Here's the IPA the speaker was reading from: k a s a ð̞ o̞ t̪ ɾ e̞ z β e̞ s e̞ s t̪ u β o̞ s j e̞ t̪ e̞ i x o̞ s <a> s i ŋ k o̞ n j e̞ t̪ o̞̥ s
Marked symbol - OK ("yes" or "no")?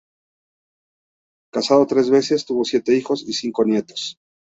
no